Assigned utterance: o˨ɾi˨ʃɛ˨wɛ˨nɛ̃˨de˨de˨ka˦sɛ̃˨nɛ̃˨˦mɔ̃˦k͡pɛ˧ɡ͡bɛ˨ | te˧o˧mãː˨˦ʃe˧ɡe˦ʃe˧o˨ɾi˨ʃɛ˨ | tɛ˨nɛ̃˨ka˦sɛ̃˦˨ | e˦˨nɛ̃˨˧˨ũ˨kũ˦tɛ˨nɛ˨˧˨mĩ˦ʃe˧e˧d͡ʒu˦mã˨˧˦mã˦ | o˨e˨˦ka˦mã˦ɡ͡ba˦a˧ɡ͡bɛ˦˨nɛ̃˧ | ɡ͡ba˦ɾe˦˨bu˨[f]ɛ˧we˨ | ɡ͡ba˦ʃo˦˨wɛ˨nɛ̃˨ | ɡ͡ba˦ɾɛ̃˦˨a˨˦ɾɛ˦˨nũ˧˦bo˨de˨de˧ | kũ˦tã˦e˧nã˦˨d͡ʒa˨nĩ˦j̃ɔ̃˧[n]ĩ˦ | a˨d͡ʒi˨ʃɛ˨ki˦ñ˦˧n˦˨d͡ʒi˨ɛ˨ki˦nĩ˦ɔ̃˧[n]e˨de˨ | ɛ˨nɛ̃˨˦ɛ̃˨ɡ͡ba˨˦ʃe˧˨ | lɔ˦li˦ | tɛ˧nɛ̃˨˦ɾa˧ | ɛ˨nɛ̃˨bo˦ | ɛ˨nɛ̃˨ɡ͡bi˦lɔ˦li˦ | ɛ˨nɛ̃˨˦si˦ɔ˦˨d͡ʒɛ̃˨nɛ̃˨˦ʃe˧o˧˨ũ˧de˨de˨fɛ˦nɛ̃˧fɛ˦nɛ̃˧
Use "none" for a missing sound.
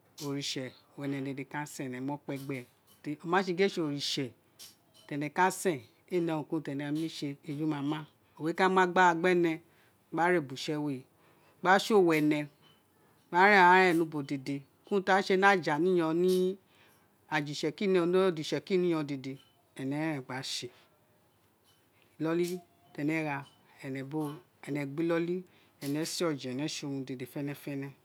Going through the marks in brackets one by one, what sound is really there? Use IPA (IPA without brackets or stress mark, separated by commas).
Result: ʃ, n, d